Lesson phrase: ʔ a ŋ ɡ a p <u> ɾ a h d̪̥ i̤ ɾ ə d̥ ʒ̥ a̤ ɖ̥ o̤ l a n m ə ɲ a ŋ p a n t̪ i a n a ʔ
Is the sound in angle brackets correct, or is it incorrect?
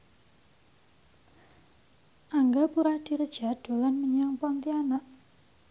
correct